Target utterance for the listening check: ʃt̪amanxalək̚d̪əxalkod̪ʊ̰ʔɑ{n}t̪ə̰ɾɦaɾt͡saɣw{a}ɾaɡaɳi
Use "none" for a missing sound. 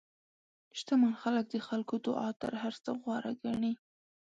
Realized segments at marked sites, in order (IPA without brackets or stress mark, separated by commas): none, ɑ